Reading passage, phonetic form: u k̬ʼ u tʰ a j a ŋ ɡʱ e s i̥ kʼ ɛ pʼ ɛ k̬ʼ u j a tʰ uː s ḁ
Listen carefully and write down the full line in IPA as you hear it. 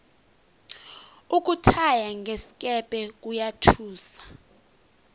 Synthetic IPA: u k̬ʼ u tʰ a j a ŋ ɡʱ e s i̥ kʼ ɛ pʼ ɛ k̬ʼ u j a tʰ uː s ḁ